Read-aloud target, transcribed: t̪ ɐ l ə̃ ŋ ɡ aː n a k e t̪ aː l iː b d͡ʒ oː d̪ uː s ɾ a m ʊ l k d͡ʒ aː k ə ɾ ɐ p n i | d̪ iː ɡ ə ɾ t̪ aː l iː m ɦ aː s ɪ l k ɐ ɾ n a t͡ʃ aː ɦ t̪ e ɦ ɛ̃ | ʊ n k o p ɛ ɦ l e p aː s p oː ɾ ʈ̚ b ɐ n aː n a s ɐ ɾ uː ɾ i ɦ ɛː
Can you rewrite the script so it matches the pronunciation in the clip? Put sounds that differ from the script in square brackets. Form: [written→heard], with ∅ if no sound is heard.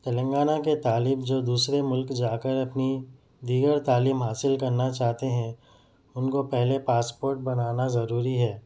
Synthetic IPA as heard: t̪ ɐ l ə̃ ŋ ɡ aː n a k e t̪ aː l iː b d͡ʒ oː d̪ uː s ɾ [a→e] m ʊ l k d͡ʒ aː k ə ɾ ɐ p n i | d̪ iː ɡ ə ɾ t̪ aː l iː m ɦ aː s ɪ l k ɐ ɾ n a t͡ʃ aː ɦ t̪ e ɦ ɛ̃ | ʊ n k o p ɛ ɦ l e p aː s p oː ɾ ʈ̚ b ɐ n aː n a [s→z] ɐ ɾ uː ɾ i ɦ ɛː

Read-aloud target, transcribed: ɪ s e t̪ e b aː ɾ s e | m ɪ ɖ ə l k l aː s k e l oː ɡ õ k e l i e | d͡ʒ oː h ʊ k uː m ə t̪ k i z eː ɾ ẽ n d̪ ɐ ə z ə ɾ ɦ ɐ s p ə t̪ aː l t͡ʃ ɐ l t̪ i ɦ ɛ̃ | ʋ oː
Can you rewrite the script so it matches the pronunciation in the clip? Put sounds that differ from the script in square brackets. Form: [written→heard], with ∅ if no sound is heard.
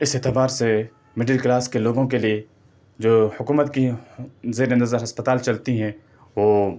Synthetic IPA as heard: ɪ s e t̪ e b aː ɾ s e | m ɪ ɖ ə l k l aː s k e l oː ɡ õ k e l i e | d͡ʒ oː h ʊ k uː m ə t̪ k i z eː ɾ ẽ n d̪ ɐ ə z ə ɾ ɦ ɐ s p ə t̪ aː l t͡ʃ ɐ l t̪ i ɦ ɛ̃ | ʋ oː

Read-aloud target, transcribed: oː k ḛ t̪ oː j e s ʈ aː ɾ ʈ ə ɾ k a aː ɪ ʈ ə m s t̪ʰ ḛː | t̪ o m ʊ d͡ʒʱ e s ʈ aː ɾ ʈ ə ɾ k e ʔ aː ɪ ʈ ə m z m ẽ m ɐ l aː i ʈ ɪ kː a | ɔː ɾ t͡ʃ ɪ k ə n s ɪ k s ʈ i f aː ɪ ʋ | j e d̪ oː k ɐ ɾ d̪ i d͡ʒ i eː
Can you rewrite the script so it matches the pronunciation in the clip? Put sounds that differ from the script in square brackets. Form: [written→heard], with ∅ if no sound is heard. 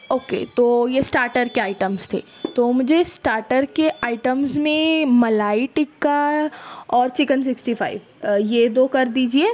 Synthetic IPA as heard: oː k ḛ t̪ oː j e s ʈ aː ɾ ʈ ə ɾ k [a→e] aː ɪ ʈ ə m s t̪ʰ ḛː | t̪ o m ʊ d͡ʒʱ e s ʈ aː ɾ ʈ ə ɾ k e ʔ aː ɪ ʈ ə m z m ẽ m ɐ l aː i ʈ ɪ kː a | ɔː ɾ t͡ʃ ɪ k ə n s ɪ k s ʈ i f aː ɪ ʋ | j e d̪ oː k ɐ ɾ d̪ [i→iː] d͡ʒ i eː

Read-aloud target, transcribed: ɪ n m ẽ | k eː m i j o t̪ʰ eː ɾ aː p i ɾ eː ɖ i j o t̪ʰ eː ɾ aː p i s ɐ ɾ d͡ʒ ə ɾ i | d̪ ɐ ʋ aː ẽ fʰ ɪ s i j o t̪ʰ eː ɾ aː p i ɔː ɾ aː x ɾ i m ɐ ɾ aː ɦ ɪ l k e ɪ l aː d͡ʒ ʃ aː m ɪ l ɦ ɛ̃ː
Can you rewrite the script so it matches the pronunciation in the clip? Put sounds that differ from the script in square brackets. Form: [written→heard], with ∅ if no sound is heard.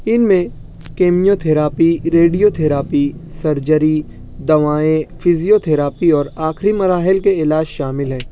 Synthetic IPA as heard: ɪ n m ẽ | k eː m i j o t̪ʰ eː ɾ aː p i ɾ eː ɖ i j o t̪ʰ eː ɾ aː p i s ɐ ɾ d͡ʒ ə ɾ i | d̪ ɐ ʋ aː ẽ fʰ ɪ [s→z] i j o t̪ʰ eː ɾ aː p i ɔː ɾ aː x ɾ i m ɐ ɾ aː ɦ ɪ l k e ɪ l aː d͡ʒ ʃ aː m ɪ l ɦ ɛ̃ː

